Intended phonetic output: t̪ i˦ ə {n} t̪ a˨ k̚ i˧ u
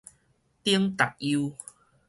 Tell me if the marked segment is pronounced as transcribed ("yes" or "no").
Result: no